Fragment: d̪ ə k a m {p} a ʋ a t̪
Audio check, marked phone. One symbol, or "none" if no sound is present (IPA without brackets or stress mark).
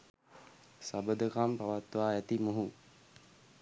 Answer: p